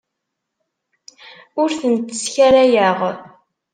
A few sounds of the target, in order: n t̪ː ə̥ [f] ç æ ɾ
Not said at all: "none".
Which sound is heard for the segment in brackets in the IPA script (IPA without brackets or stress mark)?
s